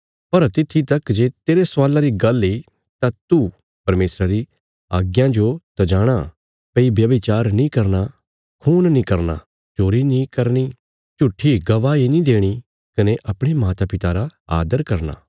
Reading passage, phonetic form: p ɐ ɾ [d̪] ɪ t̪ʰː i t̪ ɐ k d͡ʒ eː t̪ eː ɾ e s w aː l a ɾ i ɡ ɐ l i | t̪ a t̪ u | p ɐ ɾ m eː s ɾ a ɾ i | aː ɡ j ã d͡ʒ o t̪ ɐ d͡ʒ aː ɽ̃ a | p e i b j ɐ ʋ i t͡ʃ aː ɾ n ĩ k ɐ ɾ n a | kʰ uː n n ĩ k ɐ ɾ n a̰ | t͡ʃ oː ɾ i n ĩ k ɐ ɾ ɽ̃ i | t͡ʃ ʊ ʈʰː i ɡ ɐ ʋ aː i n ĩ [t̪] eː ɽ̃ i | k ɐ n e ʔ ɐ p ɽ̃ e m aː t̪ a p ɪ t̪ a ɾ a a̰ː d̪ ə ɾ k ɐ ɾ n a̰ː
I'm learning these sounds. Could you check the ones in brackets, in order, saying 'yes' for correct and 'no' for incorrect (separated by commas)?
no, no